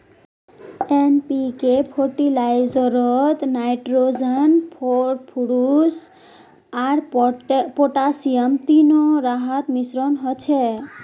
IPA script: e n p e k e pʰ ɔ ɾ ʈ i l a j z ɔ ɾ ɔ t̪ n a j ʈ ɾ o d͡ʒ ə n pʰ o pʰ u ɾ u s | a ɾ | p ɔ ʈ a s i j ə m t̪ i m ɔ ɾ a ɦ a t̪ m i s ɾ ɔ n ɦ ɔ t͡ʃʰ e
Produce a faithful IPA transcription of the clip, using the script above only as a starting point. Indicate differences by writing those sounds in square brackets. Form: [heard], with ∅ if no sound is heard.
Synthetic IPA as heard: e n p [i] k e pʰ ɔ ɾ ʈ i l a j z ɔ ɾ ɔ t̪ n a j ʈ ɾ o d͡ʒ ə n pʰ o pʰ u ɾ u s | a ɾ | p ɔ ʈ a s i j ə m t̪ i [n] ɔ ɾ a ɦ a t̪ m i s ɾ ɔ n ɦ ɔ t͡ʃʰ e